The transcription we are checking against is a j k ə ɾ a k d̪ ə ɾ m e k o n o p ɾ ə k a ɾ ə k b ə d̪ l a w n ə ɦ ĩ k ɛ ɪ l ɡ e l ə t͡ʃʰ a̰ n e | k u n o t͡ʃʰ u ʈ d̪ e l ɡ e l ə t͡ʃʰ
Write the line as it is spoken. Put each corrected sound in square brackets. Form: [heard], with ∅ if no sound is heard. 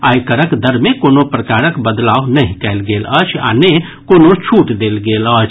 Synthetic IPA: a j k ə ɾ [ə] k d̪ ə ɾ m e k o n o p ɾ ə k a ɾ ə k b ə d̪ l a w n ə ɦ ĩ k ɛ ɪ l ɡ e l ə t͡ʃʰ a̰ n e | k [o] n o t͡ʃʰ u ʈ d̪ e l ɡ e l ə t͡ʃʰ